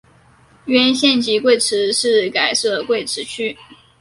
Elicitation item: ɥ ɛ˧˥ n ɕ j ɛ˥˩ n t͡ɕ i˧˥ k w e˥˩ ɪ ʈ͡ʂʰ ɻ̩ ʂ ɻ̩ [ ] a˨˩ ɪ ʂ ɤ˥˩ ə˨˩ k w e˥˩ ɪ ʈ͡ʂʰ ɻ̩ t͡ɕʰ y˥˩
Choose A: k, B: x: A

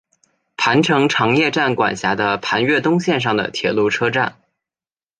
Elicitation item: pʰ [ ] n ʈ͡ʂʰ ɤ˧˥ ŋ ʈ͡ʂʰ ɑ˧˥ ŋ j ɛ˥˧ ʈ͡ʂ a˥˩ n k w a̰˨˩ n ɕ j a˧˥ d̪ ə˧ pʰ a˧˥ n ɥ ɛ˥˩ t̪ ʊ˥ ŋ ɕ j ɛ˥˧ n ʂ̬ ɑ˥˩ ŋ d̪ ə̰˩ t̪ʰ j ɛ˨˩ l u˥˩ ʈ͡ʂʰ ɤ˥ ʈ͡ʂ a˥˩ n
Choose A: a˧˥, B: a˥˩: A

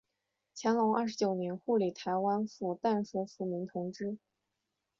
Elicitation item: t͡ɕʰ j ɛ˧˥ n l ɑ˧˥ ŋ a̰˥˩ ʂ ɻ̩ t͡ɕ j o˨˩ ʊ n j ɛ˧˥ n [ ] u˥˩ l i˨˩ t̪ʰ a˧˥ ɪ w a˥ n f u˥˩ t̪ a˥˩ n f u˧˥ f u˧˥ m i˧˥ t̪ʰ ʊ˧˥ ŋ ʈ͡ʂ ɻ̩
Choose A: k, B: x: B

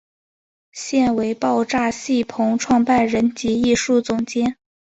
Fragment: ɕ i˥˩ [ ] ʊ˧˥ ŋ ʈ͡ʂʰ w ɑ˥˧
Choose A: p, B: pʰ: B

